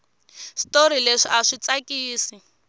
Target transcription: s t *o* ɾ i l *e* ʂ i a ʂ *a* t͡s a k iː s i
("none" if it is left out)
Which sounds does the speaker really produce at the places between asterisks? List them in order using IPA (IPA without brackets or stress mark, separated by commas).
o, e, i